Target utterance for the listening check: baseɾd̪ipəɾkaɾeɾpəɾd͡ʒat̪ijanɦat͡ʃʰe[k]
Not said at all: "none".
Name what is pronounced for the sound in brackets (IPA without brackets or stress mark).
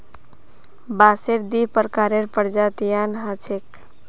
k